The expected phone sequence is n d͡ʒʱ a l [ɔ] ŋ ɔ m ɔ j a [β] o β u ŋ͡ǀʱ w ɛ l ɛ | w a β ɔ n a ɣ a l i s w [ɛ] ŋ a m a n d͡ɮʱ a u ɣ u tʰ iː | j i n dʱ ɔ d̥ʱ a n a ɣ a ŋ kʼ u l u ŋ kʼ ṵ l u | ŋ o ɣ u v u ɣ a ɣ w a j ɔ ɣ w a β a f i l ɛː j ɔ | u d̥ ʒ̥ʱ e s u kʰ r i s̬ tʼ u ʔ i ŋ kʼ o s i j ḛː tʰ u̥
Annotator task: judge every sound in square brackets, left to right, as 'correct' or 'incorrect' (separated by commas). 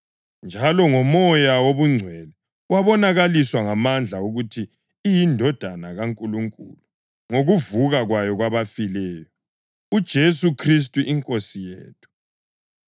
correct, incorrect, incorrect